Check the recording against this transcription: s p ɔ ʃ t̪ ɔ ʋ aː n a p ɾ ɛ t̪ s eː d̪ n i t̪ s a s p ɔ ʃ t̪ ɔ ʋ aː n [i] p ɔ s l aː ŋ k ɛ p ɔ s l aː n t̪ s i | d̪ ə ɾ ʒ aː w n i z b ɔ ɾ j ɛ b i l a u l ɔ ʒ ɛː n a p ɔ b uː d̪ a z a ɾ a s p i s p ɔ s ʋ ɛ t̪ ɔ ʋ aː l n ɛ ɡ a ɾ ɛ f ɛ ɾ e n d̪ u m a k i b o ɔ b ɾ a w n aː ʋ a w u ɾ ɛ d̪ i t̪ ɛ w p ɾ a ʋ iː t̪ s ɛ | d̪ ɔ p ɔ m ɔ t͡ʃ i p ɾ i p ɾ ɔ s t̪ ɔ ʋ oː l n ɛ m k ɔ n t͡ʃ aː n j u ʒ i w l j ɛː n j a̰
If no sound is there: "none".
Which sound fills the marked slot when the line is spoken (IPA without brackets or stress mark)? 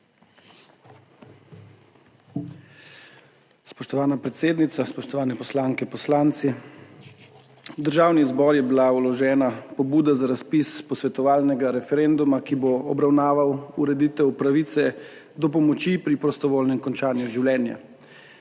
ɛ